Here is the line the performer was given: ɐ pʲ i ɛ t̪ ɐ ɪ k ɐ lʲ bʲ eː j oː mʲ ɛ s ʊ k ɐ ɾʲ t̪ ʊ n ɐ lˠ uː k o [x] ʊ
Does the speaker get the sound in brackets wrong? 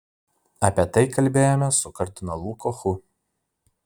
no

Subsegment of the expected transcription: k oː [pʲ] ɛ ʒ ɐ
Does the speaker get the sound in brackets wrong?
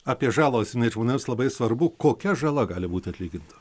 yes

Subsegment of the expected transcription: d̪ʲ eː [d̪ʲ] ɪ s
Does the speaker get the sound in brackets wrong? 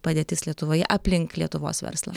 yes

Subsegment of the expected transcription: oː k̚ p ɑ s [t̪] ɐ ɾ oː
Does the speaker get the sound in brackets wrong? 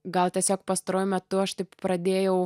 no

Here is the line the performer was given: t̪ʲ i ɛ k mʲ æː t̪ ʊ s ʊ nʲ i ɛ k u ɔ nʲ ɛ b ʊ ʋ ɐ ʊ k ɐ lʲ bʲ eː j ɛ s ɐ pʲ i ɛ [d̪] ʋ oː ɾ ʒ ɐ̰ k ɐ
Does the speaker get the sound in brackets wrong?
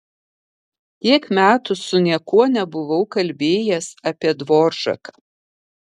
no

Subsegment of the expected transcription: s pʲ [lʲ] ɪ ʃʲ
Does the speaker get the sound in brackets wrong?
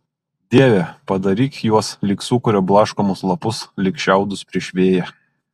yes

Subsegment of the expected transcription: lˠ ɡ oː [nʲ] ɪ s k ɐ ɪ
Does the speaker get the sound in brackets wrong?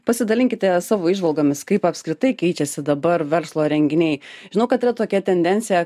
yes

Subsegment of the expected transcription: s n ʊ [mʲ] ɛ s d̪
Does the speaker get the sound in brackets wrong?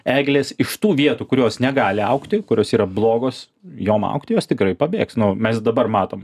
no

